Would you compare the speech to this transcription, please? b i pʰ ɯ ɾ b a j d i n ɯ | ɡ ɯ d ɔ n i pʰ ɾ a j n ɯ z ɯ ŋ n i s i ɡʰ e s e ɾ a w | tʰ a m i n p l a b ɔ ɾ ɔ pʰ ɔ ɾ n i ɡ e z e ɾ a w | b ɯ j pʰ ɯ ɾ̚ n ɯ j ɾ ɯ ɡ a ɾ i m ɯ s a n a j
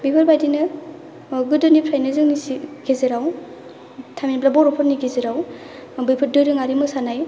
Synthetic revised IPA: b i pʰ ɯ ɾ b a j d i n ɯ | ɡ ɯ d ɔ n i pʰ ɾ a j n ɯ z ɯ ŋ n i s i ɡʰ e z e ɾ a w | tʰ a m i n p l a b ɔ ɾ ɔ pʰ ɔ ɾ n i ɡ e z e ɾ a w | b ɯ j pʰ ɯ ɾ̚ d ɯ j ɾ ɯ ŋ a ɾ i m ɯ s a n a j

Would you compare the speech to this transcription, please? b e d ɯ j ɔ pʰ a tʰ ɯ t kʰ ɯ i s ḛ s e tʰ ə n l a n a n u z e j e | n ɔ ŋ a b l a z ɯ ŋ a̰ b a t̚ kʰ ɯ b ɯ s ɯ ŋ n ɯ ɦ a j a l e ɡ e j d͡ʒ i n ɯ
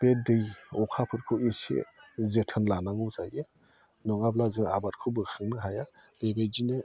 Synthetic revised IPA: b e d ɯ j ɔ kʰ a pʰ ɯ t kʰ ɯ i s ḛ z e tʰ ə n l a n a ŋ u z a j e | n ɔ ŋ a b l a z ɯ ŋ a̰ b a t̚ kʰ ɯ b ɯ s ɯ ŋ n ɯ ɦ a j a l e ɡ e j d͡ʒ i n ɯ

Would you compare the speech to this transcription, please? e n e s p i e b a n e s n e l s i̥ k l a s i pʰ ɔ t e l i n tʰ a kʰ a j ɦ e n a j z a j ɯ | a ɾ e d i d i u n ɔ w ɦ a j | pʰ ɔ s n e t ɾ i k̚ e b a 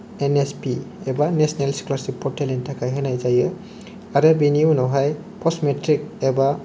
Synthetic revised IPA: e n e s p i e b a n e s n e l s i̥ k l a s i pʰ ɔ t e l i n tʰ a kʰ a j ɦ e n a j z a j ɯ | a ɾ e b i n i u n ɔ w ɦ a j | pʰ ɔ s m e t ɾ i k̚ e b a

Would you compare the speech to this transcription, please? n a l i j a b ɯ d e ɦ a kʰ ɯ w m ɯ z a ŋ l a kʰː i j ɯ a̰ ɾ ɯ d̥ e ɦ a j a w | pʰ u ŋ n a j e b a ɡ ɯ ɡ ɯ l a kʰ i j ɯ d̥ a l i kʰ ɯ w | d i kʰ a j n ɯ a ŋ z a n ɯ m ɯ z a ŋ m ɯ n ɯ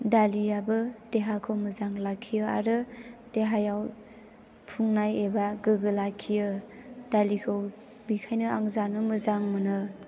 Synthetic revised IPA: d a l i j a b ɯ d e ɦ a kʰ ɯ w m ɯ z a ŋ l a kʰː i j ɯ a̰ ɾ ɯ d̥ e ɦ a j a w | pʰ u ŋ n a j e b a ɡ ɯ ɡ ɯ l a kʰ i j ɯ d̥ a l i kʰ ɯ w | b i kʰ a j n ɯ a ŋ z a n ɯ m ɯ z a ŋ m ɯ n ɯ

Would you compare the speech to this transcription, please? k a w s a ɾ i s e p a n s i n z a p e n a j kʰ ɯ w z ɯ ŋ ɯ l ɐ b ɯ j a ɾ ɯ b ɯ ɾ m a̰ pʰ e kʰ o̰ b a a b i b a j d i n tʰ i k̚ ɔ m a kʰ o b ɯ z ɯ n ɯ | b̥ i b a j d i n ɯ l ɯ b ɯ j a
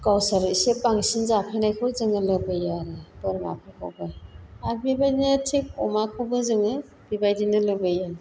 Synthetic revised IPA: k a w s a ɾ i s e p a ŋ s i n z a pʰ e n a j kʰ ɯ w z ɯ ŋ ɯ l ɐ b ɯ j a ɾ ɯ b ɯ ɾ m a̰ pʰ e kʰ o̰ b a a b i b a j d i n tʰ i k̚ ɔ m a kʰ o b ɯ z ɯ ŋ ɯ | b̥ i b a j d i n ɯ l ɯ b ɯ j a

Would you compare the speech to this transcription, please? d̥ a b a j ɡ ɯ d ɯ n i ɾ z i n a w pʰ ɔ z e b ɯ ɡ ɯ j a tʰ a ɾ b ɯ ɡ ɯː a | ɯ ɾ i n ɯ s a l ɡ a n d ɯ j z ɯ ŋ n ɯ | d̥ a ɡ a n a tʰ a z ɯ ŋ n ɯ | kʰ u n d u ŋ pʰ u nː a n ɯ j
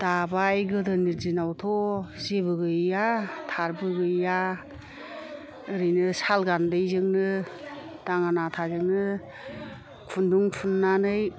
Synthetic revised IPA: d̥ a b a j ɡ ɯ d ɯ n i ɾ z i n a w tʰ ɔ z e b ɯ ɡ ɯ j a tʰ a ɾ b ɯ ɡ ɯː a | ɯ ɾ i n ɯ s a l ɡ a n d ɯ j z ɯ ŋ n ɯ | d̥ a ŋ a n a tʰ a z ɯ ŋ n ɯ | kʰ u n d u ŋ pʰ u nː a n ɯ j

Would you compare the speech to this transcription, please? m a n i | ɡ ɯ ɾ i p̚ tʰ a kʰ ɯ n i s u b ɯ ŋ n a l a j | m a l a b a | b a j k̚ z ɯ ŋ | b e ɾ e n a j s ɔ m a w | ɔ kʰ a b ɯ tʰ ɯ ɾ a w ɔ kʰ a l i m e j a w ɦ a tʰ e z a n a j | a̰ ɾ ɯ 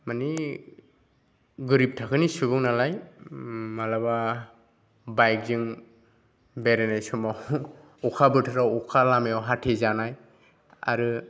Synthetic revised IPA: m a n i | ɡ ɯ ɾ i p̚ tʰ a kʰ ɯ n i s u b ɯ ŋ n a l a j | m a l a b a | b a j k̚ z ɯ ŋ | b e ɾ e n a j s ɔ m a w | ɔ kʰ a b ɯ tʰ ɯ ɾ a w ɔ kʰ a l a m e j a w ɦ a tʰ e z a n a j | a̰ ɾ ɯ

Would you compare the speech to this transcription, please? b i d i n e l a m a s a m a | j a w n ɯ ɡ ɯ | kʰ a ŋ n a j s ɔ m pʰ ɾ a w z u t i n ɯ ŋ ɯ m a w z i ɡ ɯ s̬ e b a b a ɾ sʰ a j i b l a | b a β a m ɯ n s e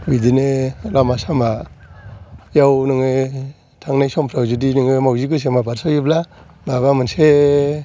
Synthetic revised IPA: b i d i n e l a m a s a m a | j a w n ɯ ŋ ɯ | tʰ a ŋ n a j s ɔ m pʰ ɾ a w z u d i n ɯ ŋ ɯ m a w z i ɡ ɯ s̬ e m a b a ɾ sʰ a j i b l a | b a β a m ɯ n s e

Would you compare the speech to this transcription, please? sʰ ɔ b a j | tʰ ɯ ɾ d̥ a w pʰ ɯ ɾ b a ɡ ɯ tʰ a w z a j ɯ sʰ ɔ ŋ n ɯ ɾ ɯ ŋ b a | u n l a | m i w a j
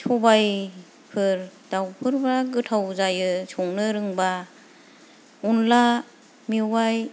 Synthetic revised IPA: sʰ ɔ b a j | pʰ ɯ ɾ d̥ a w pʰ ɯ ɾ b a ɡ ɯ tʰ a w z a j ɯ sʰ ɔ ŋ n ɯ ɾ ɯ ŋ b a | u n l a | m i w a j

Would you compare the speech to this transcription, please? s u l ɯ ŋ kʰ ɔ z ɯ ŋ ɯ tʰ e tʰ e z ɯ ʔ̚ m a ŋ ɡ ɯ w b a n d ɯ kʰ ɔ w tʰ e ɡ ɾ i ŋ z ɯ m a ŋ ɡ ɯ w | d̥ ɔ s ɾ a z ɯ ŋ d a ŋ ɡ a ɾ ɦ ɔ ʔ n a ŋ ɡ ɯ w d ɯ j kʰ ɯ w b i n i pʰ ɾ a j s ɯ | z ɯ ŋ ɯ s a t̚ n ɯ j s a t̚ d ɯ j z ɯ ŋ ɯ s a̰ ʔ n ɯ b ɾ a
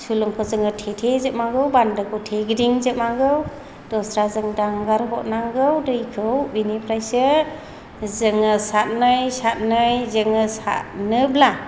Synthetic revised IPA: s u l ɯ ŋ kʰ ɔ z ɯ ŋ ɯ tʰ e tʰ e z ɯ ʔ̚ m a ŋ ɡ ɯ w b a n d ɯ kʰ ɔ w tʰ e ɡ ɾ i ŋ z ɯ m a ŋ ɡ ɯ w | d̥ ɔ s ɾ a z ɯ ŋ d a ŋ ɡ a ɾ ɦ ɔ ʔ n a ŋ ɡ ɯ w d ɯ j kʰ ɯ w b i n i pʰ ɾ a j s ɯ | z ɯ ŋ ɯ s a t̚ n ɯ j s a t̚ n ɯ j z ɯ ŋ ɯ s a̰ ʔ n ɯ b l a

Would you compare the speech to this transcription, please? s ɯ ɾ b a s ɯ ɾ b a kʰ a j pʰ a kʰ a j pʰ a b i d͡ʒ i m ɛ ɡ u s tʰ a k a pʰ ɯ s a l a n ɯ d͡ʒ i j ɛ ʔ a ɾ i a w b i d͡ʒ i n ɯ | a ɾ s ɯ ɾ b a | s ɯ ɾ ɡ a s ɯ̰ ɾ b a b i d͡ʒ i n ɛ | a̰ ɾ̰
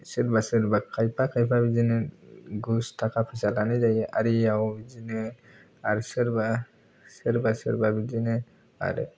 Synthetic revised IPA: s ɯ ɾ b a s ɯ ɾ b a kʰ a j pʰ a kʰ a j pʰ a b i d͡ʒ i n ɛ ɡ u s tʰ a k a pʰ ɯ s a l a n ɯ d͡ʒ a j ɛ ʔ a ɾ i a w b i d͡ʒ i n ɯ | a ɾ s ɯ ɾ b a | s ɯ ɾ b a s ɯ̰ ɾ b a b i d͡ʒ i n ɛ | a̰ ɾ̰

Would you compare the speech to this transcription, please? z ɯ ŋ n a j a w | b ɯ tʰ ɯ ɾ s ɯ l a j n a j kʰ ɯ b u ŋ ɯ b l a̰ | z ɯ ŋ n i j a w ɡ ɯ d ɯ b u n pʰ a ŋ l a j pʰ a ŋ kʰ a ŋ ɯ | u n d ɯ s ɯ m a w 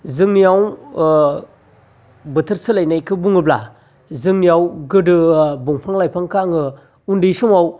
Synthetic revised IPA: z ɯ ŋ n i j a w | b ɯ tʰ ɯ ɾ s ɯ l a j n a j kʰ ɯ b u ŋ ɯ b l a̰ | z ɯ ŋ n i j a w ɡ ɯ d ɯ b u ŋ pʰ a ŋ l a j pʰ a ŋ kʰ a ŋ ɯ | u n d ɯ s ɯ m a w

